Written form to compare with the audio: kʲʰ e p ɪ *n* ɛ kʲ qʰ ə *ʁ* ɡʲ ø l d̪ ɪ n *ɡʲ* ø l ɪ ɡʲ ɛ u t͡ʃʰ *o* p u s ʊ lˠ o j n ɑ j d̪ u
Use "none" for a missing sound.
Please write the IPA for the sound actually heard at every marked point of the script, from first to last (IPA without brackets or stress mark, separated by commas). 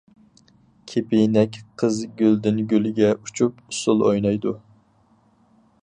n, z, ɡʲ, u